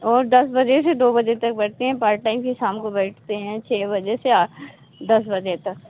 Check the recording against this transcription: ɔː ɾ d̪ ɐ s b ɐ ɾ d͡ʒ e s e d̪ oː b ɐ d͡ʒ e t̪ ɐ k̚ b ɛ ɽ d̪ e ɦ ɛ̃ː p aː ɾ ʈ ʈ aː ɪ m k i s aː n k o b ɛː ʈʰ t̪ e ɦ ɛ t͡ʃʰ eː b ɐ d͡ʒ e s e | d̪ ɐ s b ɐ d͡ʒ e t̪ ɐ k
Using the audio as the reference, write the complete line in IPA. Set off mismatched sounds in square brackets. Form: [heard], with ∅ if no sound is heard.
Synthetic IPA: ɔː ɾ d̪ ɐ s b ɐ [∅] d͡ʒ e s e d̪ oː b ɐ d͡ʒ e t̪ ɐ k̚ b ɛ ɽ [t̪] e ɦ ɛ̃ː p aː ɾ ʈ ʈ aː ɪ m k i s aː [m] k o b ɛː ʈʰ t̪ e ɦ [ɛ̃] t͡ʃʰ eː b ɐ d͡ʒ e s e | d̪ ɐ s b ɐ d͡ʒ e t̪ ɐ k

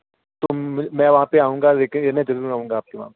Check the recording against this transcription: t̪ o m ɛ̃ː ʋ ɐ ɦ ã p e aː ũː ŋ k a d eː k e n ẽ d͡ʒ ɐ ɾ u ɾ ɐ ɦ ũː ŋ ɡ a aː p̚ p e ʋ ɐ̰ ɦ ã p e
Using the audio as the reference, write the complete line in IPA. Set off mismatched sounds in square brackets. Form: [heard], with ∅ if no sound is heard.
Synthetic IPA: t̪ o m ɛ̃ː ʋ ɐ ɦ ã p e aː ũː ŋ [ɡ] a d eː k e n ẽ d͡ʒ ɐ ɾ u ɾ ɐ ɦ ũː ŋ ɡ a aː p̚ [k] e ʋ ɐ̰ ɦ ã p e

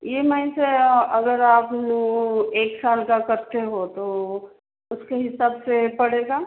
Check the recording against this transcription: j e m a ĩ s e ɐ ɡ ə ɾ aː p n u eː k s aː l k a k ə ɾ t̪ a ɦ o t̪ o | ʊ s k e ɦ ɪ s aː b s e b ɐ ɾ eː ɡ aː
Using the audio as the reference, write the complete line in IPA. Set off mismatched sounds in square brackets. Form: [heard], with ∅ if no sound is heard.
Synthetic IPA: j e m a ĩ s e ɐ ɡ ə ɾ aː p n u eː k s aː l k a k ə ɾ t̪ [e] ɦ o t̪ o | ʊ s k e ɦ ɪ s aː b s e [p] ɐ [ɽ] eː ɡ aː

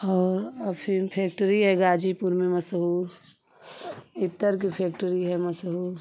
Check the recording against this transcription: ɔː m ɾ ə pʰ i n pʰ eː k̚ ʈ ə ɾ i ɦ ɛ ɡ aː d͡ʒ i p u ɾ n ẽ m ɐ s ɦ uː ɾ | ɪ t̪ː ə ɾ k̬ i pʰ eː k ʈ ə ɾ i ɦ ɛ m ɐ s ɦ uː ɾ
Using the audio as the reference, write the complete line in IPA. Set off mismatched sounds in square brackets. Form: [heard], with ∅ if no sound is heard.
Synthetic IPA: ɔː [∅] ɾ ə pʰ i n pʰ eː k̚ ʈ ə ɾ i ɦ ɛ ɡ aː d͡ʒ i p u ɾ [m] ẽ m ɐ s ɦ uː ɾ | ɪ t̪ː ə ɾ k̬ i pʰ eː k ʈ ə ɾ i ɦ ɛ m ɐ s ɦ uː ɾ

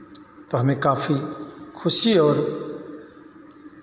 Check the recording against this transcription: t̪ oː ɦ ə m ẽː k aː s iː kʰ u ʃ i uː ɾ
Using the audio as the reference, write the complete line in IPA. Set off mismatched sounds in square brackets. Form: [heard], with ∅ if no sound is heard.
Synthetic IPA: t̪ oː ɦ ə m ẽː k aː [f] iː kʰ [ʊ] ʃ i [ɔː] ɾ

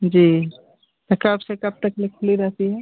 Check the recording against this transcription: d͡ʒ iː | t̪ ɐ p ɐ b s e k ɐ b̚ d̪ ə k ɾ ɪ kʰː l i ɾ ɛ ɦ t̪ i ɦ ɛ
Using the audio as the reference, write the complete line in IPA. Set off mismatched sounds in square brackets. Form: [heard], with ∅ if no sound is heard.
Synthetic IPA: d͡ʒ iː | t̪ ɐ [k] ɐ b s e k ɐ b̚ [t̪] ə k [l] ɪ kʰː l i ɾ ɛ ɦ t̪ i ɦ ɛ

